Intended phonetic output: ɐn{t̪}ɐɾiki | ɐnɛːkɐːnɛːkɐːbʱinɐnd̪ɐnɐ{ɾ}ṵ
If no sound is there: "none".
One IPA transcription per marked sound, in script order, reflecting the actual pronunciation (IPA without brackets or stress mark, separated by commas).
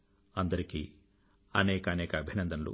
d̪, l